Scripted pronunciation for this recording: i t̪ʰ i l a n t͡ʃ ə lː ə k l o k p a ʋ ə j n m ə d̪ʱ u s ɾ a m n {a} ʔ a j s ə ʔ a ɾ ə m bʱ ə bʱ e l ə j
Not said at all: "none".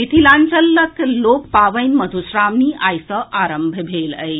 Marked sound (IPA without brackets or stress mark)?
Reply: i